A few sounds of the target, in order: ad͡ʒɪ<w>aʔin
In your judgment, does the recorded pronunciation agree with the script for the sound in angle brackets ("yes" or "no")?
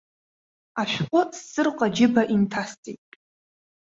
no